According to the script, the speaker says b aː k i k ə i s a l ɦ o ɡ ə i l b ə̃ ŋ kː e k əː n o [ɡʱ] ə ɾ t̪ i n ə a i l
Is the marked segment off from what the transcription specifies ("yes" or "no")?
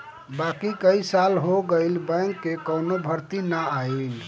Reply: yes